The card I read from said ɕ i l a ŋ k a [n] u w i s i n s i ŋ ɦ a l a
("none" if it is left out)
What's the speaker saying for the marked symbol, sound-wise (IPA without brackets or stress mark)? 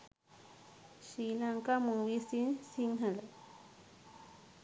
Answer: m